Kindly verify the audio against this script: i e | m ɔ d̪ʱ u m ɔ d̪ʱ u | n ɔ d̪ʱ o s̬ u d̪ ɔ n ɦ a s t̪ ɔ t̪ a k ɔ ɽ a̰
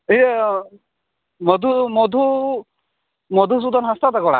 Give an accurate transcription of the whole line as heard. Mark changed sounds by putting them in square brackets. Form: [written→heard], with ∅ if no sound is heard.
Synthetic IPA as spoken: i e | m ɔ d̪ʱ u m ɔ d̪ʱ u | [n→m] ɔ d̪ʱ [o→u] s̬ u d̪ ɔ n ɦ a s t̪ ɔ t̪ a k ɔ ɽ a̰